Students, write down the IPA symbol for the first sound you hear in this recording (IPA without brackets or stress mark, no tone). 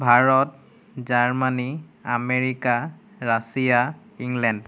bʱ